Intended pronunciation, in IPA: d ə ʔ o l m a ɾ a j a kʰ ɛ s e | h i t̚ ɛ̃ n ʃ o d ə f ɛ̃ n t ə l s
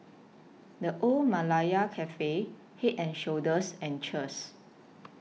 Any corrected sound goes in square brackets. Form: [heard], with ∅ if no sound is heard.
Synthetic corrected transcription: d ə ʔ o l m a [l] a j a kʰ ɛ [f] e | h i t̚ ɛ̃ n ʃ o d ə [s] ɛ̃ n [t͡ʃ] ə [∅] s